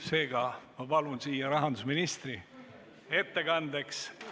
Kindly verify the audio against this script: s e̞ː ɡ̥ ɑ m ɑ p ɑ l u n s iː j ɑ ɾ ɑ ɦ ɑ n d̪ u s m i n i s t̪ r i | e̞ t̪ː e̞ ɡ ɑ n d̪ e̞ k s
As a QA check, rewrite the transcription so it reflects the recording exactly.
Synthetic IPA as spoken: s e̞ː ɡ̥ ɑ m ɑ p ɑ l u n s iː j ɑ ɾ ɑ ɦ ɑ n d̪ u s m i n i s t̪ r i | e̞ t̪ː e̞ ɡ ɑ n d̪ e̞ k s